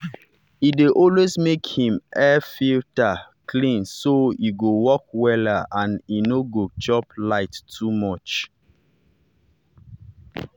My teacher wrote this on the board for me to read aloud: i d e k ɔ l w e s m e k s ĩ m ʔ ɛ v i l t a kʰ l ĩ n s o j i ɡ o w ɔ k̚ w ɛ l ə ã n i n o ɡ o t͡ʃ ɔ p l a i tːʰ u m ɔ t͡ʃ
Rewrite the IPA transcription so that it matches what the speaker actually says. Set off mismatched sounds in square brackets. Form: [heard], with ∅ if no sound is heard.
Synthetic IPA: i d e [ʔ] ɔ l w e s m e k [h] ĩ m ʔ ɛ [f] i l t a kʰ l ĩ n s o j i ɡ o w ɔ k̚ w ɛ l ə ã n i n o ɡ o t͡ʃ ɔ p l a [ɪ] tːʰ u m ɔ t͡ʃ